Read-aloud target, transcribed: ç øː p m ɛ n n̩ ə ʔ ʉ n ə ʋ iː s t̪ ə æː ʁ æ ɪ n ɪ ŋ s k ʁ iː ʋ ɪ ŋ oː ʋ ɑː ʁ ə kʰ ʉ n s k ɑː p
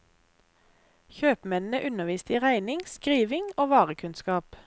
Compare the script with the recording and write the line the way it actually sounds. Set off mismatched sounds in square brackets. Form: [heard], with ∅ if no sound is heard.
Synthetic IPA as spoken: ç øː p m ɛ n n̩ ə ʔ ʉ n ə ʋ iː s t̪ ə [iː] ʁ æ ɪ n ɪ ŋ s k ʁ iː ʋ ɪ ŋ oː ʋ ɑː ʁ ə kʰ ʉ n s k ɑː p